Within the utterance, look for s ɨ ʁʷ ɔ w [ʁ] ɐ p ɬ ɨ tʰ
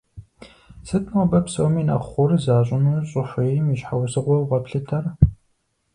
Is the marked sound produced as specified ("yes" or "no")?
yes